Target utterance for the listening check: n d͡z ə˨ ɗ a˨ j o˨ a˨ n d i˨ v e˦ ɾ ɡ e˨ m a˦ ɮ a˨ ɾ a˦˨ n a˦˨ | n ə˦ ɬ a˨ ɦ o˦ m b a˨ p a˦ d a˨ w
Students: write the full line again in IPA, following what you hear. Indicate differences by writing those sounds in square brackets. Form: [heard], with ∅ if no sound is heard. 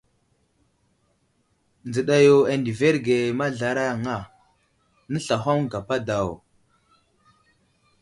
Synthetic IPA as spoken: n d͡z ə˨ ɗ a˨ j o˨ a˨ n d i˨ v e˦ ɾ ɡ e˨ m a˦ ɮ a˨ ɾ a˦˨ [ŋ] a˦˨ | n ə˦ ɬ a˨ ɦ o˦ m [ɡ] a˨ p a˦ d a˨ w